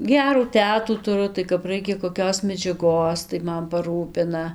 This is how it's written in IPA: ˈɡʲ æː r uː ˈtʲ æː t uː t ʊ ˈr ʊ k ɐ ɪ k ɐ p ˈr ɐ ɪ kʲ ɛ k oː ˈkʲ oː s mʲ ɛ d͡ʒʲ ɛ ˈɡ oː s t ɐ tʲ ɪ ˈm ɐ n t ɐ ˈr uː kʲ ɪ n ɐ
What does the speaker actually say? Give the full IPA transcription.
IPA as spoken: ˈɡʲ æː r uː ˈtʲ æː t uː t ʊ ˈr ʊ t ɐ ɪ k ɐ p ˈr ɐ ɪ kʲ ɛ k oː ˈkʲ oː s mʲ ɛ d͡ʒʲ ɛ ˈɡ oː s t ɐ ɪ ˈm ɐ n p ɐ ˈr uː pʲ ɪ n ɐ